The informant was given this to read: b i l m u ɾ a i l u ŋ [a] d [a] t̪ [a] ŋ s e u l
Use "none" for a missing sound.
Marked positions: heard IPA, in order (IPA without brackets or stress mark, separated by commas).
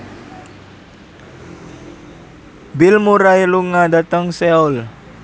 a, a, ə